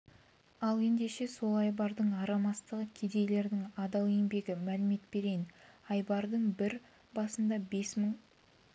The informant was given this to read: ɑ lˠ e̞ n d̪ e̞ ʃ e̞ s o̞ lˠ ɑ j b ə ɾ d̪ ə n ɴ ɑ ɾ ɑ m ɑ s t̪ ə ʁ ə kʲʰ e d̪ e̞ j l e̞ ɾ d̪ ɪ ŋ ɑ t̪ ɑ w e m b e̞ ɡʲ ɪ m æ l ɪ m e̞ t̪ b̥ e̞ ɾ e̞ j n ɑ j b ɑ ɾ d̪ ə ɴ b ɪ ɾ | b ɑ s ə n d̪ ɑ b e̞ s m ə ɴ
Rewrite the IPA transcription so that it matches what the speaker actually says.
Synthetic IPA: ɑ lˠ e̞ n d̪ e̞ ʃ e̞ s o̞ lˠ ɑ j b ɑ ɾ d̪ ə ɴ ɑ ɾ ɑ m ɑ s t̪ ə ʁ ə kʲʰ e d̪ e̞ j l e̞ ɾ d̪ ɪ ŋ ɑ d̪ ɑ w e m b e̞ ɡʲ ɪ m æ l ɪ m e̞ t̪ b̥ e̞ ɾ e̞ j n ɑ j b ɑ ɾ d̪ ə ɴ b ɪ ɾ | b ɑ s ə n d̪ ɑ b e̞ s m ə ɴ